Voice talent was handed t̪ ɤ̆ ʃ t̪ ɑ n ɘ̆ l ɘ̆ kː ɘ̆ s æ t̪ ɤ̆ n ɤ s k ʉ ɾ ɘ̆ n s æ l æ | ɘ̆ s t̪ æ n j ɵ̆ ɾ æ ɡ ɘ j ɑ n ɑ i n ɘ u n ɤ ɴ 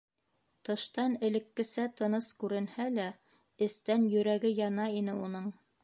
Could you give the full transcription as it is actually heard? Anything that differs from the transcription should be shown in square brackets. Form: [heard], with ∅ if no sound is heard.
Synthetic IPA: t̪ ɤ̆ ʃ t̪ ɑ n ɘ̆ l ɘ̆ kː ɘ̆ s æ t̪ ɤ̆ n ɤ s k ʉ ɾ ɘ̆ n [h] æ l æ | ɘ̆ s t̪ æ n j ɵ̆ ɾ æ ɡ ɘ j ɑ n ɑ i n ɘ u n ɤ ɴ